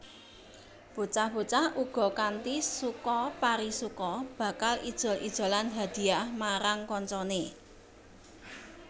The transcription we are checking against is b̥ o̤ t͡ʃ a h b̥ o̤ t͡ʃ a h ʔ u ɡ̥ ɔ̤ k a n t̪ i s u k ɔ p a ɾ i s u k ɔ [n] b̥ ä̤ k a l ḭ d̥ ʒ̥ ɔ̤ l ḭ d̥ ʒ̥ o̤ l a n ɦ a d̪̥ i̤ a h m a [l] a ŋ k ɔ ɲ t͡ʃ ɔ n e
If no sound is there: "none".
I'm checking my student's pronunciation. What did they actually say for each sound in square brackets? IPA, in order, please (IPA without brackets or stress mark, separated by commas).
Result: none, ɾ